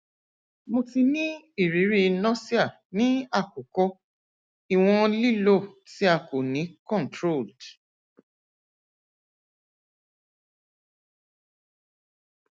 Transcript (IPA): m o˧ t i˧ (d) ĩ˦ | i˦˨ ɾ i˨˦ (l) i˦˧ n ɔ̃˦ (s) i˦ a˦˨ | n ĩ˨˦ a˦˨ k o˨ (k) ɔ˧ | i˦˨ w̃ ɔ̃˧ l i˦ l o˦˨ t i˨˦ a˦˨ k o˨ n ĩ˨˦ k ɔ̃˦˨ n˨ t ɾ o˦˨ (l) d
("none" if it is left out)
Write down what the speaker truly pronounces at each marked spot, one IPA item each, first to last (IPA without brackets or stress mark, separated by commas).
n, ɾ, s, k, l